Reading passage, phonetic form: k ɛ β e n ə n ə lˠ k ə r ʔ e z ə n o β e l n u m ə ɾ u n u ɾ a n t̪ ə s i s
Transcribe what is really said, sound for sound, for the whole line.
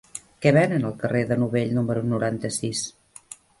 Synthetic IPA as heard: k ɛ β ɛ n ə n ə lˠ k ə r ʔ e ð ə n u β e ʎ n u m ə ɾ u n u ɾ a n t̪ ə s i s